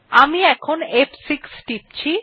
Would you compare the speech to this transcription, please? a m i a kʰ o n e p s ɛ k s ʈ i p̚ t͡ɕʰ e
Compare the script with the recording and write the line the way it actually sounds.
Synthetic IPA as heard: a m i ɛ kʰ o n e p s i k s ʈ i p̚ t͡ɕʰ i